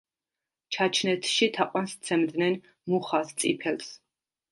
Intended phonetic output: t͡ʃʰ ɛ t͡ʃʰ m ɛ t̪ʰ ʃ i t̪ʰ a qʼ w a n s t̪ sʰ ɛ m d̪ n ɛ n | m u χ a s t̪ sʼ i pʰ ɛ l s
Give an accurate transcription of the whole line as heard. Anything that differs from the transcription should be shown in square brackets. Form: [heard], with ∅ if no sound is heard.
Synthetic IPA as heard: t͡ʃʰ [a] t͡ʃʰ [n] ɛ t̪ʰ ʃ i t̪ʰ a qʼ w a n s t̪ sʰ ɛ m d̪ n ɛ n | m u χ a s t̪ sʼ i pʰ ɛ l s